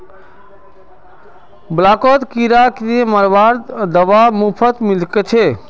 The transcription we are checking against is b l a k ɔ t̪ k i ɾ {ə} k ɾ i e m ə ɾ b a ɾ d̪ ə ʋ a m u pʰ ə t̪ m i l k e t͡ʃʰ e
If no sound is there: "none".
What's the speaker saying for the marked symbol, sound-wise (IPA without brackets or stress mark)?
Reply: a